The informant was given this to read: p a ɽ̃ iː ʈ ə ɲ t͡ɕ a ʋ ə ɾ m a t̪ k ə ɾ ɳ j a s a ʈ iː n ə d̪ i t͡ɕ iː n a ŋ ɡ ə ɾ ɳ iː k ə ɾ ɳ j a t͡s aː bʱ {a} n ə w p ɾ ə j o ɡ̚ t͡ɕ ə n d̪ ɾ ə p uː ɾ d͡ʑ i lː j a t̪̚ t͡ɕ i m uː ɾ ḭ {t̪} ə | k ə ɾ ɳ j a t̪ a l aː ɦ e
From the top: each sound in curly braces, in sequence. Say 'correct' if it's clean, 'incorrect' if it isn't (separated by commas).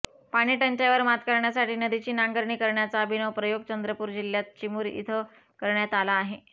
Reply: incorrect, incorrect